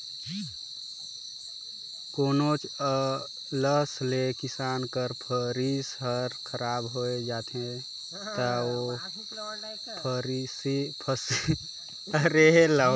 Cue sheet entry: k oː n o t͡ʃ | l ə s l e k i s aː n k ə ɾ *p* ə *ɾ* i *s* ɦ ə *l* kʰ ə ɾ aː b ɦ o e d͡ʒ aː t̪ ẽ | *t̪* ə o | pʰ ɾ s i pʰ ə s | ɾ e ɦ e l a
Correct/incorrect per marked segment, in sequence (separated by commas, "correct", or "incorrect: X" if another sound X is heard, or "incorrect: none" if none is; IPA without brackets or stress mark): incorrect: pʰ, correct, correct, incorrect: ɾ, correct